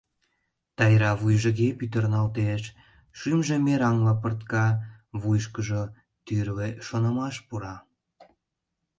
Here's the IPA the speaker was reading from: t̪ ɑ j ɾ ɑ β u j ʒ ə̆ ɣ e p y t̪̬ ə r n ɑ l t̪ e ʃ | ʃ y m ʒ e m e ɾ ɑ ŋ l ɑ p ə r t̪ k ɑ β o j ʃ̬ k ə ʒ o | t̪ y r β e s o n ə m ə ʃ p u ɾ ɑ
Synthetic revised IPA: t̪ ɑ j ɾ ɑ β u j ʒ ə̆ ɣ e p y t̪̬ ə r n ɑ l t̪ e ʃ | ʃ y m ʒ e m e ɾ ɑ ŋ l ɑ p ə r t̪ k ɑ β u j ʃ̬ k ə ʒ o | t̪ y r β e ʃ o n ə m ɑ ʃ p u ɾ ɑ